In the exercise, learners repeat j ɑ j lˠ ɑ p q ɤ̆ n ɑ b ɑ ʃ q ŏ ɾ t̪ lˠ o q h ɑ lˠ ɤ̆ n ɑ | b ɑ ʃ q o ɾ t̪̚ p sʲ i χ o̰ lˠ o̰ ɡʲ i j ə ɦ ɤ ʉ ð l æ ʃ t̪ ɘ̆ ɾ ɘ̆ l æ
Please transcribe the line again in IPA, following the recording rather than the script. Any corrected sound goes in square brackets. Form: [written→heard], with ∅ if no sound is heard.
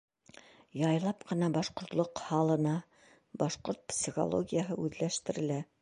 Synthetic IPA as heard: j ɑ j lˠ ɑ p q ɤ̆ n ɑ b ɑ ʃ q ŏ ɾ t̪ lˠ o q h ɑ lˠ ɤ̆ n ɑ | b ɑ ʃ q o ɾ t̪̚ p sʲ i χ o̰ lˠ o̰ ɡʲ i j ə ɦ ɤ ʉ ð l æ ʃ t̪ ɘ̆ ɾ ɘ̆ l æ